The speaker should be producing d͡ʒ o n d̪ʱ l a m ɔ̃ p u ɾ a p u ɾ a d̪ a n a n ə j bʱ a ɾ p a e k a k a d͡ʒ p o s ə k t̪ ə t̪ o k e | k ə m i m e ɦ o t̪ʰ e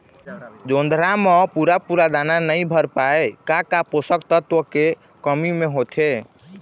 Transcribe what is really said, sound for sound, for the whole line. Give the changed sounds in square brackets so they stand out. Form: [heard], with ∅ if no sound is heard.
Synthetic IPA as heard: d͡ʒ o n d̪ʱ [ɾ] a m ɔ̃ p u ɾ a p u ɾ a d̪ a n a n ə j bʱ [ə] ɾ p a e k a k a [∅] p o s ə k t̪ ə t̪ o k e | k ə m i m e ɦ o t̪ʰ e